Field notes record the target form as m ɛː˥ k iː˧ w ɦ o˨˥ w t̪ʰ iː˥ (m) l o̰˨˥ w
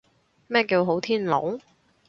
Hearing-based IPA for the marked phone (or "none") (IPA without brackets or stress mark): n